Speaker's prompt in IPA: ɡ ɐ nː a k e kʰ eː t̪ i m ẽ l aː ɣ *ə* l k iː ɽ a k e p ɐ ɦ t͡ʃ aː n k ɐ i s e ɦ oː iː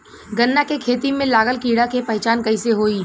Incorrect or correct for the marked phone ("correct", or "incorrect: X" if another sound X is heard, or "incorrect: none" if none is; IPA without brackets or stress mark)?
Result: correct